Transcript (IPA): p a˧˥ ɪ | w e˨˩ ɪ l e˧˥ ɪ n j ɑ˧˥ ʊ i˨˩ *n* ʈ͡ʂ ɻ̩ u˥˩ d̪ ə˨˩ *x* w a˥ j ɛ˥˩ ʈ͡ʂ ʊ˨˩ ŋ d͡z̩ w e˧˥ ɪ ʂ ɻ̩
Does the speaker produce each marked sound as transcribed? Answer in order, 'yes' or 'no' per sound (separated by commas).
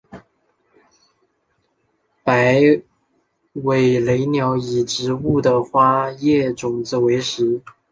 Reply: no, yes